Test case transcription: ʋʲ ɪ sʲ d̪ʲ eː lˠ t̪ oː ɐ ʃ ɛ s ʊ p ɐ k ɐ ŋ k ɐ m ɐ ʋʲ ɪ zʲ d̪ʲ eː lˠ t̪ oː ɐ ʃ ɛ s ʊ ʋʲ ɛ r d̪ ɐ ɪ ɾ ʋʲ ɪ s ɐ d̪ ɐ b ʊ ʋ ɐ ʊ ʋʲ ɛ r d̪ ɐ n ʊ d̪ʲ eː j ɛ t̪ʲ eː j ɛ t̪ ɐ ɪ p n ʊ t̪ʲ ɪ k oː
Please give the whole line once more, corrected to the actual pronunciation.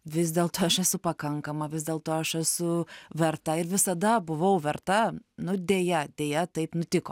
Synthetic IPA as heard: ʋʲ ɪ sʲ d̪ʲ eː lˠ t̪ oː ɐ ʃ ɛ s ʊ p ɐ k ɐ ŋ k ɐ m ɐ ʋʲ ɪ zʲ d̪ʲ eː lˠ t̪ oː ɐ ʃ ɛ s ʊ ʋʲ ɛ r t̪ ɐ ɪ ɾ ʋʲ ɪ s ɐ d̪ ɐ b ʊ ʋ ɐ ʊ ʋʲ ɛ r t̪ ɐ n ʊ d̪ʲ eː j ɛ d̪ʲ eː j ɛ t̪ ɐ ɪ p n ʊ t̪ʲ ɪ k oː